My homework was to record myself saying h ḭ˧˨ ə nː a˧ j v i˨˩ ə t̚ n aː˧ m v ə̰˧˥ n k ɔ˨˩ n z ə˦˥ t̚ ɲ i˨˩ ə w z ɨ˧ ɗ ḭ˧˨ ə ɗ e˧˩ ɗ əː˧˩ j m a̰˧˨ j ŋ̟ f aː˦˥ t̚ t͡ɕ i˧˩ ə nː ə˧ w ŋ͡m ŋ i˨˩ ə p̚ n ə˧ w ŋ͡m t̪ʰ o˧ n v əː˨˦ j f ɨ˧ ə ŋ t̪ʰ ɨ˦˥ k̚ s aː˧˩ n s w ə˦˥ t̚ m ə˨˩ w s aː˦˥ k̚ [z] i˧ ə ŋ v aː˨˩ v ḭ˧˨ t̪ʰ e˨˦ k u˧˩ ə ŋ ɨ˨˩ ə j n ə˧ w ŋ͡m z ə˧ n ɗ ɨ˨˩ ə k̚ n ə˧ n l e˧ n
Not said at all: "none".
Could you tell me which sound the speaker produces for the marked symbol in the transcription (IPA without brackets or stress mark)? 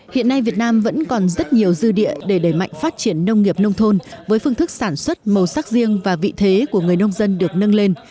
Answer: z